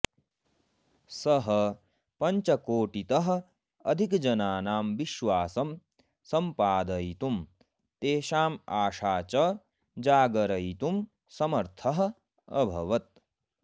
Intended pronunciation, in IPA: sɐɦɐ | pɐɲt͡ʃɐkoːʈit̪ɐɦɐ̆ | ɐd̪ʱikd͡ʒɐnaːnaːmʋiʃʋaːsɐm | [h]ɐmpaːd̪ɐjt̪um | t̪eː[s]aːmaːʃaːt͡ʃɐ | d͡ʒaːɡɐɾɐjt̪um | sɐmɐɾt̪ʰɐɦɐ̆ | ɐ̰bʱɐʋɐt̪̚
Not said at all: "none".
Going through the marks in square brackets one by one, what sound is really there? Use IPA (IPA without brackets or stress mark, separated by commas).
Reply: s, ʃ